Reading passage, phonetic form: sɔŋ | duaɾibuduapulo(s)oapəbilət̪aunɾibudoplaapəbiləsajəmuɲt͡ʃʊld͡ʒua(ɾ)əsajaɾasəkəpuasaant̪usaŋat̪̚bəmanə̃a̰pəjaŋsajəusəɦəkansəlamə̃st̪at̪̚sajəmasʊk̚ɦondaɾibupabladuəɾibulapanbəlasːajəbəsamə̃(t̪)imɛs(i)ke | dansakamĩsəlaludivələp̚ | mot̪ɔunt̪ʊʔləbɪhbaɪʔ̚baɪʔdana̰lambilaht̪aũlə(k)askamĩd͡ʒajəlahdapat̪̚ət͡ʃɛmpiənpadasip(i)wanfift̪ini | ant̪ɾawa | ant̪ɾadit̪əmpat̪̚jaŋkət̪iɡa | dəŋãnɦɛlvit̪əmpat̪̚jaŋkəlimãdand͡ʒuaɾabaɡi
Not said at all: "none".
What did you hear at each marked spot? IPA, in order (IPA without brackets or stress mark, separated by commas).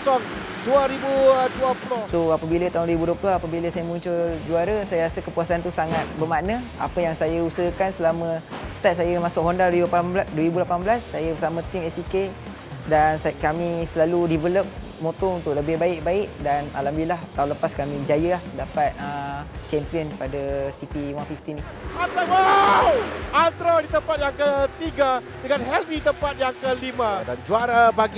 s, ɾ, t̪, i, p, i